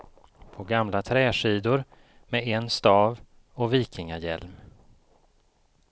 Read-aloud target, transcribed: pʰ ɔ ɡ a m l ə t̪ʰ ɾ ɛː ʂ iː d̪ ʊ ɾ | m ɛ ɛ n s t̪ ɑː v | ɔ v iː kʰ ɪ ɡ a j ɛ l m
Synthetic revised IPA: pʰ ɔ ɡ a m l a t̪ʰ ɾ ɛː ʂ iː d̪ ʊ ɾ | m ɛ ɛ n s t̪ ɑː v | ɔ v iː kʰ ɪ ŋ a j ɛ l m